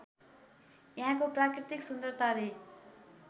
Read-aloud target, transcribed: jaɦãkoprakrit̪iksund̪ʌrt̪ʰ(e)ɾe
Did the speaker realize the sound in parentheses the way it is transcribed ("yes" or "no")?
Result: no